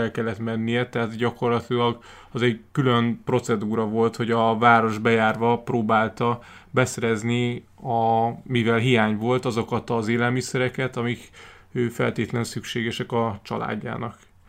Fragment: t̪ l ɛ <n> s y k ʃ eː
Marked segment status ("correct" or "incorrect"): correct